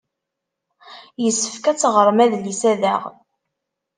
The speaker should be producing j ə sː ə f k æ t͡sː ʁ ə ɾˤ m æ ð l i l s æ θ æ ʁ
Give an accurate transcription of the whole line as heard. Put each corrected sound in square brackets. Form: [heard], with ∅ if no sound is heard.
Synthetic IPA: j ə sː ə f k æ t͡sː ʁ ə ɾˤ m æ ð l i [∅] s æ [ð] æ ʁ